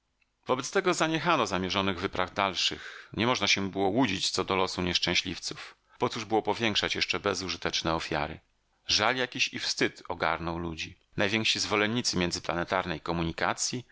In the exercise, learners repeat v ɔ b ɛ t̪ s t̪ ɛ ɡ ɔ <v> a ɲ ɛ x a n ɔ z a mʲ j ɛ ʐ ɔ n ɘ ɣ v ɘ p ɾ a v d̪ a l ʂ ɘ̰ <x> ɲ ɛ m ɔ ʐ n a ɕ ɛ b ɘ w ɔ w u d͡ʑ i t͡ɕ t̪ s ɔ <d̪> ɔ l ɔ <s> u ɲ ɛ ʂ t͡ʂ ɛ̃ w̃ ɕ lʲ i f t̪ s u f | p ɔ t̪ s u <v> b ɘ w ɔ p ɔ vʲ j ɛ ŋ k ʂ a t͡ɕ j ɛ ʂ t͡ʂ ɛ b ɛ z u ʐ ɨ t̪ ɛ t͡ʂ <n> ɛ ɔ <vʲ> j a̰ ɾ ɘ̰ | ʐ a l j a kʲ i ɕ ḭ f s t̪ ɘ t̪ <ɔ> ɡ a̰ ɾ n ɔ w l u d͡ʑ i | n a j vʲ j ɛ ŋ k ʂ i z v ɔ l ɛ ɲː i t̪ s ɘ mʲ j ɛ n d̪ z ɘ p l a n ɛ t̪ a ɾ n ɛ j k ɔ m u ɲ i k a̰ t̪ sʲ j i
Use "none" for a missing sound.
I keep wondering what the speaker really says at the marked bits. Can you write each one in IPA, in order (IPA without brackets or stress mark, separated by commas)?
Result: z, x, d̪, s, ʐ, n, fʲ, ɔ